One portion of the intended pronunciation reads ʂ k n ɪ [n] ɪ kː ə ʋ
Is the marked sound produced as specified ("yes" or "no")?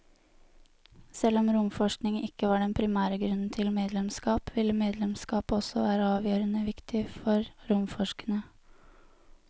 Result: no